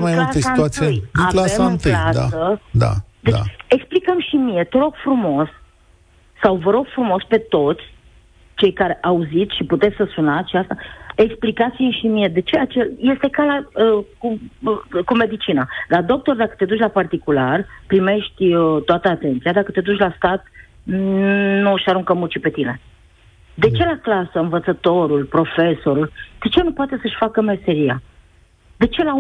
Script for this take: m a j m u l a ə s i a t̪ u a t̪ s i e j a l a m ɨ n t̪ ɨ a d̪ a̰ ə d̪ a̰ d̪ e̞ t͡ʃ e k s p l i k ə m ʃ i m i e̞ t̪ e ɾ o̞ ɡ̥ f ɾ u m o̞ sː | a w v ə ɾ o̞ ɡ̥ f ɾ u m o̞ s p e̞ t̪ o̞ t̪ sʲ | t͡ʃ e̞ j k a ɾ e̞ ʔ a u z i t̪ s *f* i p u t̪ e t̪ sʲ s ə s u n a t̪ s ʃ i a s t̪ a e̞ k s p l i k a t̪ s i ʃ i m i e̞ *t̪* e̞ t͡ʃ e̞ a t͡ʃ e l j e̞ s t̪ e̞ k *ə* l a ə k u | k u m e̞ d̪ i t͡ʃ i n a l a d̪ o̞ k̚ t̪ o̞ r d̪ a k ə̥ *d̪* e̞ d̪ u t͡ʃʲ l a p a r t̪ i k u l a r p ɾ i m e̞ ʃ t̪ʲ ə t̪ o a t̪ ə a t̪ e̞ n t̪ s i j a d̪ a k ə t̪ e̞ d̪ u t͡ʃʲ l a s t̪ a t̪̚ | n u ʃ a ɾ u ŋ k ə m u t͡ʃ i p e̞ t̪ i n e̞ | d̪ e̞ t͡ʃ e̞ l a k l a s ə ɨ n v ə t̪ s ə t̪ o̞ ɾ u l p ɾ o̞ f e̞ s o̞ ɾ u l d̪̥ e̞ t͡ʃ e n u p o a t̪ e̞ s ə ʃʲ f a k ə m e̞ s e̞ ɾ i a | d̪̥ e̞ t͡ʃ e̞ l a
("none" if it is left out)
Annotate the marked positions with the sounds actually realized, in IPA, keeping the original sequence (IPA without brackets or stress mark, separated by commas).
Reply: ʃ, d̪, a, t̪